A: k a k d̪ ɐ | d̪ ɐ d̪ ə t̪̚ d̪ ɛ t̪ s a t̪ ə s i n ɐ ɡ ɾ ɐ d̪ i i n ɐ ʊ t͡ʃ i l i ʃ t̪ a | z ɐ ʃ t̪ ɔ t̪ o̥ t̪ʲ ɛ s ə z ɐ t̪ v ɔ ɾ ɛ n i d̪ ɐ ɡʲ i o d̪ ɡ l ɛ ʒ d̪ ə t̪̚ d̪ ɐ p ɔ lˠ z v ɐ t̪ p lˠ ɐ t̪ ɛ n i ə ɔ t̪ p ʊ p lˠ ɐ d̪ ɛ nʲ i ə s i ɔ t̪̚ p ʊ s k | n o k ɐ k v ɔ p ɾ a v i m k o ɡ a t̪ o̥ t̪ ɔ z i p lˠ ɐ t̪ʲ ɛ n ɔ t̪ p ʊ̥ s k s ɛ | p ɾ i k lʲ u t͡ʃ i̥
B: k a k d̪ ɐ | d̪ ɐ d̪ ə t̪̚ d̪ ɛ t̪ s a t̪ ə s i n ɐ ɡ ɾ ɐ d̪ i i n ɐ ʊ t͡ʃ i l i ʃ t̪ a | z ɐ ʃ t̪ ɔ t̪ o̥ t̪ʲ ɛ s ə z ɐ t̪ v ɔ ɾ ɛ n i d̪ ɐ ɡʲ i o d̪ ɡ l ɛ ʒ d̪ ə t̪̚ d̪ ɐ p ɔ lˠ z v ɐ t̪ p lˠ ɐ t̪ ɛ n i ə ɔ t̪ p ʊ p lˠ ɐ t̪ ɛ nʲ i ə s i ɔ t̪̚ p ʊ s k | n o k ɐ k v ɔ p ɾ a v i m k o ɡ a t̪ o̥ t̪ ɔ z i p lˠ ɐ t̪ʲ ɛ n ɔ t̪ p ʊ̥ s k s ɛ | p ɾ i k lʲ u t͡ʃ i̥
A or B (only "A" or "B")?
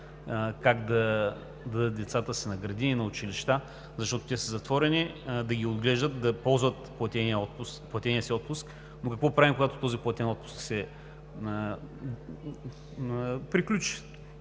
B